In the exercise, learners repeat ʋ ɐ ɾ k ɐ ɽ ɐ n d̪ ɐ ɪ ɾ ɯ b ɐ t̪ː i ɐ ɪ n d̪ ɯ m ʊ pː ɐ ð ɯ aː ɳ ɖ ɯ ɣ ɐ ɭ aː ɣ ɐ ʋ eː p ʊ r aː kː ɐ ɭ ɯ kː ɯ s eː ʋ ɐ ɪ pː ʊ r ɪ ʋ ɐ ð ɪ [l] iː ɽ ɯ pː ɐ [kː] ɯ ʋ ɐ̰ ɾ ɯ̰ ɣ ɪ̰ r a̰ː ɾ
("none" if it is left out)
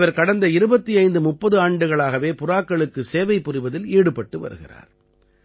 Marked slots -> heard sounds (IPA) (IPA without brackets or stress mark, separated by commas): l, ʈː